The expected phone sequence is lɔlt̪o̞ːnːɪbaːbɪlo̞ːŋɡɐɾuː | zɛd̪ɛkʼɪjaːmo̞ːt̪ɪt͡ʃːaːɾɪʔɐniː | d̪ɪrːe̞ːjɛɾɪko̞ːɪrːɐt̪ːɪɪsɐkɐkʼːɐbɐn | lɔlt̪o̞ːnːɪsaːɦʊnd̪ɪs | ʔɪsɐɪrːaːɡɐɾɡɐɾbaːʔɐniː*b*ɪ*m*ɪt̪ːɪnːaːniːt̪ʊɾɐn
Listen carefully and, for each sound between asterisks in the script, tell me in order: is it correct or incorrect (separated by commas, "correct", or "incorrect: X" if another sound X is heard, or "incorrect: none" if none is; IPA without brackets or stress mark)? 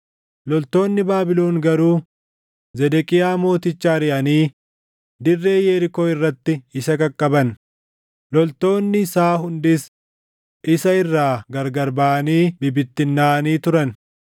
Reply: correct, incorrect: b